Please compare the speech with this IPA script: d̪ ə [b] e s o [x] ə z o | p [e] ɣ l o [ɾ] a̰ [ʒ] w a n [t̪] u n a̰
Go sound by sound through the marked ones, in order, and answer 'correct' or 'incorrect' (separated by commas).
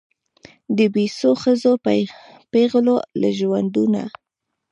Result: correct, correct, correct, incorrect, correct, incorrect